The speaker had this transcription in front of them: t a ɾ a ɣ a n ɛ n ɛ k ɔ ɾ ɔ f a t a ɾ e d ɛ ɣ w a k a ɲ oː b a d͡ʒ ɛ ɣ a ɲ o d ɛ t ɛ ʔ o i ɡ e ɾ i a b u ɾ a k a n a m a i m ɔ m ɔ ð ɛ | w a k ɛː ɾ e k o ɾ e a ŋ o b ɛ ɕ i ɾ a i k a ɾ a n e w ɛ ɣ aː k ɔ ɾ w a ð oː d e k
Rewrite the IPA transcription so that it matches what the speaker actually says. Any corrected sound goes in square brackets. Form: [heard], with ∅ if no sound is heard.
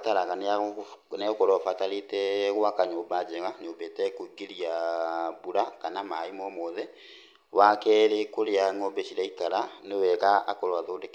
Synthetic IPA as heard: t a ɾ a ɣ a n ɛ n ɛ k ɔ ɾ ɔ f a t a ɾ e [t] ɛ ɣ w a k a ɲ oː b a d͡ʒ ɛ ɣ a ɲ o [b] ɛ t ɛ [k] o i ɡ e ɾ i a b u ɾ a k a n a m a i m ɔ m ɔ ð ɛ | w a k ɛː ɾ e k o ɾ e a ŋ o b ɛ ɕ i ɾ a i k a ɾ a n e w ɛ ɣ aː k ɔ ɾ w a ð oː d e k